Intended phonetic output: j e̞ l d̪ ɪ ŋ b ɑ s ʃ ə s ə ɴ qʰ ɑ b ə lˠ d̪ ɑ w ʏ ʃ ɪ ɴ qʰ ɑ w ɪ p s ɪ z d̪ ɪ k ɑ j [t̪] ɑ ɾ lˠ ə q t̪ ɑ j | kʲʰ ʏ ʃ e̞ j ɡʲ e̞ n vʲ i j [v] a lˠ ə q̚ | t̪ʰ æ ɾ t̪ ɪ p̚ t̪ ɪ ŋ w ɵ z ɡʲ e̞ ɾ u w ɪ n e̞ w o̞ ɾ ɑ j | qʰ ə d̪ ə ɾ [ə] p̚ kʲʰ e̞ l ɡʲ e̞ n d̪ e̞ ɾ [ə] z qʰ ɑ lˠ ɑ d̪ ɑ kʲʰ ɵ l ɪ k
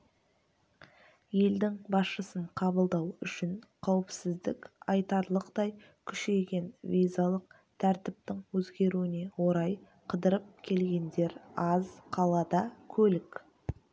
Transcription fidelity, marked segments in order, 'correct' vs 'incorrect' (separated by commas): correct, incorrect, correct, incorrect